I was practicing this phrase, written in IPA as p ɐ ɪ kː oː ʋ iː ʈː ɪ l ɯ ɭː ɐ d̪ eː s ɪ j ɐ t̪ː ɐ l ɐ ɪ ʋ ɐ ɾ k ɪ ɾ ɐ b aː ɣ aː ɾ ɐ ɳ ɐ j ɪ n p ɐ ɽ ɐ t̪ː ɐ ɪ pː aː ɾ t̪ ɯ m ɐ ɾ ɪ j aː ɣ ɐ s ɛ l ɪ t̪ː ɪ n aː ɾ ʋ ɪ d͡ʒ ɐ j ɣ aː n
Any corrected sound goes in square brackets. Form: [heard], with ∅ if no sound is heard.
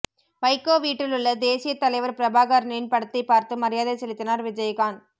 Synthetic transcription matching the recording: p ɐ ɪ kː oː ʋ iː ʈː ɪ l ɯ ɭː ɐ d̪ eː s ɪ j ɐ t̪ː ɐ l ɐ ɪ ʋ ɐ ɾ [p] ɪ ɾ ɐ b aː ɣ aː ɾ ɐ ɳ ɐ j ɪ n p ɐ ɽ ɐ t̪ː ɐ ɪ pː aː ɾ t̪ ɯ m ɐ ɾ ɪ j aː [ð] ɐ s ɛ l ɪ t̪ː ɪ n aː ɾ ʋ ɪ d͡ʒ ɐ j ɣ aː n